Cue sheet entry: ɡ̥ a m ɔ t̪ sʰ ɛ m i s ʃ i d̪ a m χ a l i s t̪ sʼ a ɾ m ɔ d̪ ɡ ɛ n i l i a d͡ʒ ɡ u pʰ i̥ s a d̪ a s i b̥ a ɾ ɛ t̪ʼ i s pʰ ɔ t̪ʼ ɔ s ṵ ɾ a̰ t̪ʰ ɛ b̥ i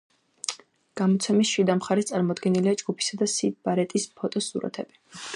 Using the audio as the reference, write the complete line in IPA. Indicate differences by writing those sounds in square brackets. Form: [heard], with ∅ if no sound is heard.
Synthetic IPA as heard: ɡ̥ a m ɔ t̪ sʰ ɛ m i s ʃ i d̪ a m χ a [ɾ] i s t̪ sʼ a ɾ m ɔ d̪ ɡ ɛ n i l i a d͡ʒ ɡ u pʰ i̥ s a d̪ a s i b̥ a ɾ ɛ t̪ʼ i s pʰ ɔ t̪ʼ ɔ s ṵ ɾ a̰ t̪ʰ ɛ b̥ i